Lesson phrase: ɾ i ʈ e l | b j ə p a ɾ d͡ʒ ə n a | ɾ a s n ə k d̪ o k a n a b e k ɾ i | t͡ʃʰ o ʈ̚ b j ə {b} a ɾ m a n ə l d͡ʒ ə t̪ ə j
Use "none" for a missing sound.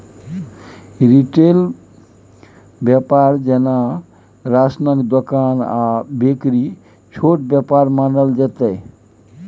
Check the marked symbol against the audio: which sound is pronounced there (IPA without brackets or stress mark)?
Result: p